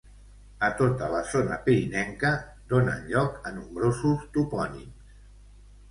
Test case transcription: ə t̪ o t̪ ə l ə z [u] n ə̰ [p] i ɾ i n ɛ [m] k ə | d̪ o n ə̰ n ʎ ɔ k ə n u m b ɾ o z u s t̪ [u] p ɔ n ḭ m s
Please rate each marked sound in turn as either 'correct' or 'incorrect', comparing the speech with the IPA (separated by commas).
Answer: incorrect, correct, incorrect, correct